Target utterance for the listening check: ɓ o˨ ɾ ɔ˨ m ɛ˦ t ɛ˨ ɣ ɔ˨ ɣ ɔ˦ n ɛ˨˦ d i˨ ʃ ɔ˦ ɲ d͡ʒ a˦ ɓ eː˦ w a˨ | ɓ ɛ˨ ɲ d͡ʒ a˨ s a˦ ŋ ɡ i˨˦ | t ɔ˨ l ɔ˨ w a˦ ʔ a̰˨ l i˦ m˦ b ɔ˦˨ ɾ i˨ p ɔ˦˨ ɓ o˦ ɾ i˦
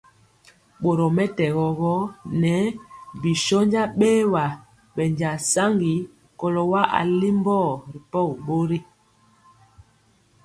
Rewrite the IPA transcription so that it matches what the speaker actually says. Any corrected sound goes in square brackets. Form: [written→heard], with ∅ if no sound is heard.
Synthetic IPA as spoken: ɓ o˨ ɾ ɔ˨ m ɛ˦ t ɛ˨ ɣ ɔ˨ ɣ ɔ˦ n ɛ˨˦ [d→b] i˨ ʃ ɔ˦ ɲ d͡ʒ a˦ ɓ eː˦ w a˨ | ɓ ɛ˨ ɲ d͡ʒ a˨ s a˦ ŋ ɡ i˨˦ | [t→k] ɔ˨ l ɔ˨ w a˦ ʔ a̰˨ l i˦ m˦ b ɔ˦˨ ɾ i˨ p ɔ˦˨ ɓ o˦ ɾ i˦